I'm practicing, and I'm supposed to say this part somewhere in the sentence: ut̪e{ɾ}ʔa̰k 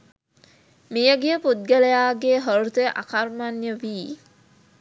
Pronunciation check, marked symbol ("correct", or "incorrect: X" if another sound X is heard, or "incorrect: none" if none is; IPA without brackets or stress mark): incorrect: none